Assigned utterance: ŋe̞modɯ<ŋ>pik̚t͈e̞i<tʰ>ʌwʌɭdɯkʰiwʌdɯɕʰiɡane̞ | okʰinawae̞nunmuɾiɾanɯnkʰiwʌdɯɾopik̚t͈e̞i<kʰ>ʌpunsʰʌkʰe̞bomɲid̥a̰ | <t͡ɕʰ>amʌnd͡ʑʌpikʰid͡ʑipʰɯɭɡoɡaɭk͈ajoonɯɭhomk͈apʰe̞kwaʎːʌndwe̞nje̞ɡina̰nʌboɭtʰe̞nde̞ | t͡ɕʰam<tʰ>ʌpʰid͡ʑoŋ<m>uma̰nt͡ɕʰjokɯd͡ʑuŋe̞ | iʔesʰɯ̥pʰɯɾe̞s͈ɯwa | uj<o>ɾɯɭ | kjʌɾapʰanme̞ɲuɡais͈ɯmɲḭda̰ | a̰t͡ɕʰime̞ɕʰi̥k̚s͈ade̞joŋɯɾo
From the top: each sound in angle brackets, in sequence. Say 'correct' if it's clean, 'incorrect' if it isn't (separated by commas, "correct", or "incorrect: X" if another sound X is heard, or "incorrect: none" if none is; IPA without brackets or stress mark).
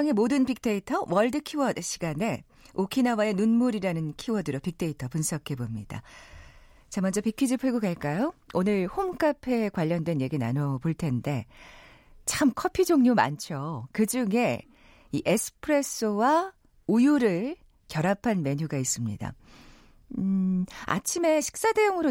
incorrect: n, correct, incorrect: tʰ, incorrect: t͡ɕ, incorrect: kʰ, incorrect: ɲ, incorrect: u